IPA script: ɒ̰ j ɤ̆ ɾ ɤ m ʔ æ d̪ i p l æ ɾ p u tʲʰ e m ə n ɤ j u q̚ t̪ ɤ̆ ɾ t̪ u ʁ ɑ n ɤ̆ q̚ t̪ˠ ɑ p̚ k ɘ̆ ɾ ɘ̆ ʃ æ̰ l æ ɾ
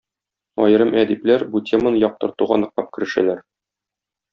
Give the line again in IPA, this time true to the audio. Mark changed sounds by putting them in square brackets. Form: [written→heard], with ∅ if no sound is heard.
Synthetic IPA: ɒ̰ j ɤ̆ ɾ ɤ m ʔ æ d̪ i p l æ ɾ [p→b] u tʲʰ e m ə n ɤ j [u→ɒ] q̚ t̪ ɤ̆ ɾ t̪ u ʁ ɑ n ɤ̆ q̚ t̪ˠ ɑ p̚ k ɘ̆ ɾ ɘ̆ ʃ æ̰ l æ ɾ